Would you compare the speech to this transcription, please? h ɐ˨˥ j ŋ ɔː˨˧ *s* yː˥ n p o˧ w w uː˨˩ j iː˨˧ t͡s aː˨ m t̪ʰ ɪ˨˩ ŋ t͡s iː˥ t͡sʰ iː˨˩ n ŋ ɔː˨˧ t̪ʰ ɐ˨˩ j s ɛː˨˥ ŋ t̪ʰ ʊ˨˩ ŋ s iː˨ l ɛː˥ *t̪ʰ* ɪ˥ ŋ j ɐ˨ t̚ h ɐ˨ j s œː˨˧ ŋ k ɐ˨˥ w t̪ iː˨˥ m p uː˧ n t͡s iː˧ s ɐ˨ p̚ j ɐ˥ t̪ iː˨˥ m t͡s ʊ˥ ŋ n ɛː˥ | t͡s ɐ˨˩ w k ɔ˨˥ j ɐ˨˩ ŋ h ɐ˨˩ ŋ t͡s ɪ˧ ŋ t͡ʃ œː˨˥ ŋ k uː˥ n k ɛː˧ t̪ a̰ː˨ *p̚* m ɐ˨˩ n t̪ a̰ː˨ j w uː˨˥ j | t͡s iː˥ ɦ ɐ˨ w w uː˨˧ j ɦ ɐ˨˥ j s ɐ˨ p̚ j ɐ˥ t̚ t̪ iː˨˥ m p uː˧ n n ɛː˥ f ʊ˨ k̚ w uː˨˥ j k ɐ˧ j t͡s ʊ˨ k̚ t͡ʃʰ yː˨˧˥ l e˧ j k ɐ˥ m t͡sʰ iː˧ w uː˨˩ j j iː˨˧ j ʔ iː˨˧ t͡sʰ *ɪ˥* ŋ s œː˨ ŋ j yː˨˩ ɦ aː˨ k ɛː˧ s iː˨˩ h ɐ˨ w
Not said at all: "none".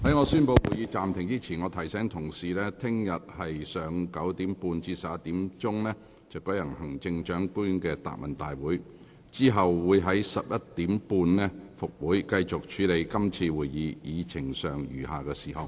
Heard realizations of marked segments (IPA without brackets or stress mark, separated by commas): s, t̪ʰ, k̚, ɪ˨˩